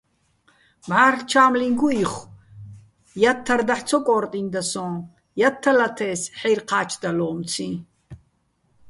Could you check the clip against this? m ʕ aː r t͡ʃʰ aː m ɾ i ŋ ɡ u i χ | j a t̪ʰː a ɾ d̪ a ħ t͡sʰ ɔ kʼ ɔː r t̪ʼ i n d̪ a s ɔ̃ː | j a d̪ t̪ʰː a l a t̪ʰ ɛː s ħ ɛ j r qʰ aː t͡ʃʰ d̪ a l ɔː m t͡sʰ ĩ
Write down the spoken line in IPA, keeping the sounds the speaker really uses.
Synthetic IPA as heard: m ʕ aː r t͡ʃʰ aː m l i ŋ ɡ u i χ | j a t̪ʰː a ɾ d̪ a ħ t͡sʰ ɔ kʼ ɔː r t̪ʼ i n d̪ a s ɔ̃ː | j a t̪ʰː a l a t̪ʰ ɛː s ħ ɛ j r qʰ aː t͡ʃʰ d̪ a l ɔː m t͡sʰ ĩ